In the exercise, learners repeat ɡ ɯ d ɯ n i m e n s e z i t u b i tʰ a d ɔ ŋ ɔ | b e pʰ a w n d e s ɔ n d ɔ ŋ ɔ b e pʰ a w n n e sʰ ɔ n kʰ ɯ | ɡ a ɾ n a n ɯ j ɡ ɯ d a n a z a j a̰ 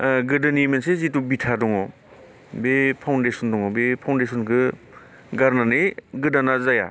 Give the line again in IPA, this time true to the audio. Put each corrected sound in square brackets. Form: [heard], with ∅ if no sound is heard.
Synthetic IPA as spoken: ɡ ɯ d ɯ n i m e n s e z i t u b i tʰ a d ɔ ŋ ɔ | b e pʰ a w n d e s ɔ n d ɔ ŋ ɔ b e pʰ a w n [d] e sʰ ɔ n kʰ ɯ | ɡ a ɾ n a n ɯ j ɡ ɯ d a n a z a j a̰

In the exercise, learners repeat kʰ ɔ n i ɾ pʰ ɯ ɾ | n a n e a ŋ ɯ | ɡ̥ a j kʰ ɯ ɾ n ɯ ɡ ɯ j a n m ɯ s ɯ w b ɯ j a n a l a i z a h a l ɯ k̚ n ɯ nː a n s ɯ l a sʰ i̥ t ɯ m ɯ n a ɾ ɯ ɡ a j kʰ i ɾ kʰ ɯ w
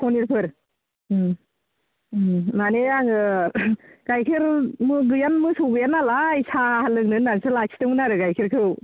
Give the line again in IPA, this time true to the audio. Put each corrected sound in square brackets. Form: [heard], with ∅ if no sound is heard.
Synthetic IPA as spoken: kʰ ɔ n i ɾ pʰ ɯ ɾ | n a n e a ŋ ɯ | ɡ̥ a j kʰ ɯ ɾ [m] ɯ ɡ ɯ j a n m ɯ s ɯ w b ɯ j a n a l a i [s] a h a l ɯ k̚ n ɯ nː a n s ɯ l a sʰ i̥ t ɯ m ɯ n a ɾ ɯ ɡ a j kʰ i ɾ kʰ ɯ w

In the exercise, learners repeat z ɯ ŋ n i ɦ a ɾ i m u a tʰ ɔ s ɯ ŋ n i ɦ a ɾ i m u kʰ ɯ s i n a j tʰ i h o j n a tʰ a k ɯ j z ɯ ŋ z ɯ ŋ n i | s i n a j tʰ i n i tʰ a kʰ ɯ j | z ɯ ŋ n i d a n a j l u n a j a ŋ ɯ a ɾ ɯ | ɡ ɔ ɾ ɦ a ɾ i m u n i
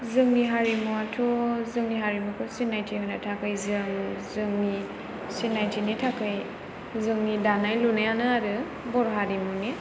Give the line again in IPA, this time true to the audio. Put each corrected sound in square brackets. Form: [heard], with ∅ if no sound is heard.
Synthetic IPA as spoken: z ɯ ŋ n i ɦ a ɾ i m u a tʰ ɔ [z] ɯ ŋ n i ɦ a ɾ i m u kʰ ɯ s i n a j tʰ i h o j n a tʰ a k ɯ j z ɯ ŋ z ɯ ŋ n i | s i n a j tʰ i n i tʰ a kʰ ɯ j | z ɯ ŋ n i d a n a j l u n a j a [n] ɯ a ɾ ɯ | [b] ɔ ɾ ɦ a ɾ i m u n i

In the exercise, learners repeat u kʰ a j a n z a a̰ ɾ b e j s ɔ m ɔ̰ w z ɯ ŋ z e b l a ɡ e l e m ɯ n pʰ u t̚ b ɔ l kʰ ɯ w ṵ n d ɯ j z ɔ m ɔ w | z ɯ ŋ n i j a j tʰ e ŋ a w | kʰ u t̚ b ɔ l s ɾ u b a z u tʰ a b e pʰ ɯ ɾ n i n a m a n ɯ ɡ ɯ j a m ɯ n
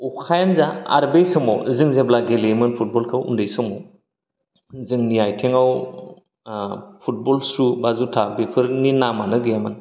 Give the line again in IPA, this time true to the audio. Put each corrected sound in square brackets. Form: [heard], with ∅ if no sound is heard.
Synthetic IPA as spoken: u kʰ a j a n z a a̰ ɾ b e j s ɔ m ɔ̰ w z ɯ ŋ z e b l a ɡ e l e m ɯ n pʰ u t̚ b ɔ l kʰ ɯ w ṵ n d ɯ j [s] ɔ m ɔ w | z ɯ ŋ n i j a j tʰ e ŋ a w | [pʰ] u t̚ b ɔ l s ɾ u b a z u tʰ a b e pʰ ɯ ɾ n i n a m a n ɯ ɡ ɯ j a m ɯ n

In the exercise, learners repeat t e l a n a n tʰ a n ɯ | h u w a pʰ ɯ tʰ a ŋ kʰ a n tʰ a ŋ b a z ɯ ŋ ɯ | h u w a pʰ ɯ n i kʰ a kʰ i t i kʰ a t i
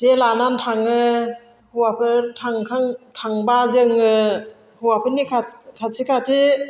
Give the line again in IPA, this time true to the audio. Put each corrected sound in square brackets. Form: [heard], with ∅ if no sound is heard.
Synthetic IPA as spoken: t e l a n a n tʰ a [ŋ] ɯ | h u w a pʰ ɯ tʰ a ŋ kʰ a [ŋ] tʰ a ŋ b a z ɯ ŋ ɯ | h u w a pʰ ɯ n i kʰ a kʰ [a] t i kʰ a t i

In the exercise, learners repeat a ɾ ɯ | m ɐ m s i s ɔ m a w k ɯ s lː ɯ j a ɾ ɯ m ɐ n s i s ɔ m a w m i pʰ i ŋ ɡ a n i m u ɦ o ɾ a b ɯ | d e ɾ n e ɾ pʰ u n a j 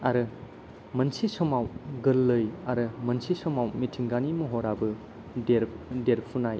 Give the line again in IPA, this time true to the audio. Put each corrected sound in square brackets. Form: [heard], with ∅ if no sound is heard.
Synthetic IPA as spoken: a ɾ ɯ | m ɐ [n] s i s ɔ m a w [ɡ] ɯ [∅] lː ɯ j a ɾ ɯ m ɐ n s i s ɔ m a w m i [tʰ] i ŋ ɡ a n i m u ɦ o ɾ a b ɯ | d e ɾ [d] e ɾ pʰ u n a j

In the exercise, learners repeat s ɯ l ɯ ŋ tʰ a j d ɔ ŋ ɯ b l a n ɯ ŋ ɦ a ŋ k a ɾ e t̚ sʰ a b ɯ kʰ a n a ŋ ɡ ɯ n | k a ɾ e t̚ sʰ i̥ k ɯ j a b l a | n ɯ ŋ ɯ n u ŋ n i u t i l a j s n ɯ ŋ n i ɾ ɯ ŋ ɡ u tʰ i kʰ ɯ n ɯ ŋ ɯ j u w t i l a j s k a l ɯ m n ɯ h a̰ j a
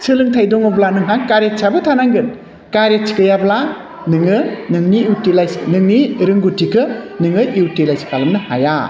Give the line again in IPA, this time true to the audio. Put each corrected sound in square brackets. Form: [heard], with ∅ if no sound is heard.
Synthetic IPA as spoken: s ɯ l ɯ ŋ tʰ a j d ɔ ŋ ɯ b l a n ɯ ŋ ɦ a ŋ k a ɾ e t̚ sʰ a b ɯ [tʰ] a n a ŋ ɡ ɯ n | k a ɾ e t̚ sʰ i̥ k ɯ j a b l a | n ɯ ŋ ɯ n [ɯ] ŋ n i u t i l a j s n ɯ ŋ n i ɾ ɯ ŋ ɡ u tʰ i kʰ ɯ n ɯ ŋ ɯ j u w t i l a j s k a l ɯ m n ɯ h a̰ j a

